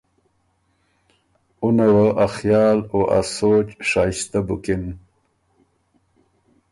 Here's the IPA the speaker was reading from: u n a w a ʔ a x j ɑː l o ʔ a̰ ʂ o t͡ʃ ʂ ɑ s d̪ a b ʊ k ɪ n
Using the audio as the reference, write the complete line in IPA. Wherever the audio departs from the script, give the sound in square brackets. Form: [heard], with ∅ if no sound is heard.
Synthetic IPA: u n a w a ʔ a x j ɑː l o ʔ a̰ [s] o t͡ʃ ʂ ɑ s [t̪] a b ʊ k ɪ n

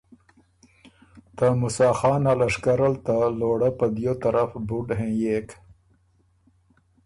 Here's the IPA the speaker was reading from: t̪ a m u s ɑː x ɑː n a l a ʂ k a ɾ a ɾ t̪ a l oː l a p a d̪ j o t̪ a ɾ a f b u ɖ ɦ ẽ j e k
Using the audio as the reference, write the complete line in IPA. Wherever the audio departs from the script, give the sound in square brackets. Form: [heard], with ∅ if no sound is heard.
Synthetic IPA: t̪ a m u s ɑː x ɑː n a l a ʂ k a ɾ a [l] t̪ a l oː [ɽ] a p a d̪ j o t̪ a ɾ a f b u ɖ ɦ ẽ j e k

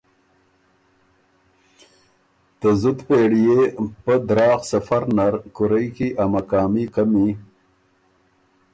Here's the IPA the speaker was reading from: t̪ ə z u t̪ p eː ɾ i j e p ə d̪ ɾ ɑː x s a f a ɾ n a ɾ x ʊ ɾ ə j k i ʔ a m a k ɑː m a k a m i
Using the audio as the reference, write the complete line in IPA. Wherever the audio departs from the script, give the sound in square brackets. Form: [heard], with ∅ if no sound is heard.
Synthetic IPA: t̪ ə z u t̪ p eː [ɽ] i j e p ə d̪ ɾ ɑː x s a f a ɾ n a ɾ [k] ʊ ɾ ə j k i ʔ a m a k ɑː m [i] k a m i

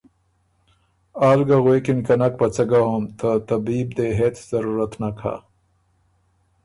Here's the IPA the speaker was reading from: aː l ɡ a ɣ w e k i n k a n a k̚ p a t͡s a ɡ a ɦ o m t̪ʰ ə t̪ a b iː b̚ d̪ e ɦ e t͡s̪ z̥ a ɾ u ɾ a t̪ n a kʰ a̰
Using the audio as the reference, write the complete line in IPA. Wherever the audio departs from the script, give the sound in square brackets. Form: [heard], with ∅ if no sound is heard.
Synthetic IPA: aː l ɡ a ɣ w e k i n k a n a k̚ p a t͡s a ɡ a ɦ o m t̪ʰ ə t̪ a b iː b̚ d̪ e ɦ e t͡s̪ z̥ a ɾ u ɾ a t̪ n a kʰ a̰

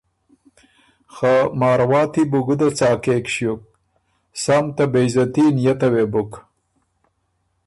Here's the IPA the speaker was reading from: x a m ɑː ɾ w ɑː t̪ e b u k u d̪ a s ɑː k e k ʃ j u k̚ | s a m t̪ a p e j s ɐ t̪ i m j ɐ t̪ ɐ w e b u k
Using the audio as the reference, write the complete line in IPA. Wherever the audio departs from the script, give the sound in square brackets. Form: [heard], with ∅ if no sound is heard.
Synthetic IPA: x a m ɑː ɾ w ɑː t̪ [i] b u [ɡ] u d̪ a [t͡s] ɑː k e k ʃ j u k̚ | s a m t̪ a [b] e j [z] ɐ t̪ i [n] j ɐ t̪ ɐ w e b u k

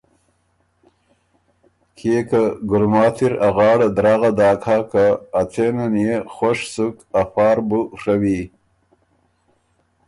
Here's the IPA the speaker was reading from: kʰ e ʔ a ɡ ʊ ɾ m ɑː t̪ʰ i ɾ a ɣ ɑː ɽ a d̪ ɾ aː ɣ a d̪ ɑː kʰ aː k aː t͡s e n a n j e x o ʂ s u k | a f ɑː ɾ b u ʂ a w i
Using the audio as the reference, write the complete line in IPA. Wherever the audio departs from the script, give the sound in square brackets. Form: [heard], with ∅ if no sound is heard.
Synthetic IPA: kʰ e [k] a ɡ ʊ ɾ m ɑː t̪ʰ i ɾ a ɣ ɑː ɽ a d̪ ɾ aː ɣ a d̪ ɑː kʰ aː k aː t͡s e n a n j e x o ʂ s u k | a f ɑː ɾ b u ʂ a w i

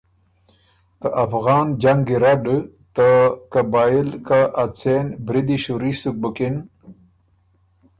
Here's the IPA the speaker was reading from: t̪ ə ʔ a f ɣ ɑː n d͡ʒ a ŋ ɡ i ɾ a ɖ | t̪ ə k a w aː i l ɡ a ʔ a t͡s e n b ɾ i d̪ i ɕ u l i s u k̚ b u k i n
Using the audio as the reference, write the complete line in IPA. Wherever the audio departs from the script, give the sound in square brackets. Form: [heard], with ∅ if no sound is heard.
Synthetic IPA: t̪ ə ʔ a f ɣ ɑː n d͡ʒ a ŋ ɡ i ɾ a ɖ | t̪ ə k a [b] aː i l [k] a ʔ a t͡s e n b ɾ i d̪ i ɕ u [ɾ] i s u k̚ b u k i n

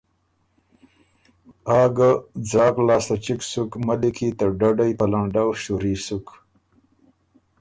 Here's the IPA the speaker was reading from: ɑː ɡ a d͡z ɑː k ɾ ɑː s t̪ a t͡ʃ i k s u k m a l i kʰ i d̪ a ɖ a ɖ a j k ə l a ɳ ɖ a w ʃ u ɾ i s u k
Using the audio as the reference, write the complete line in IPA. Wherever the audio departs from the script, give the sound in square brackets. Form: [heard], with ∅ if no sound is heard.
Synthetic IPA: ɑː ɡ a d͡z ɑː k [l] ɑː s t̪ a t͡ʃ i k s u k m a l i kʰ i [t̪] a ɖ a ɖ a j [p] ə l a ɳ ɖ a w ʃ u ɾ i s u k

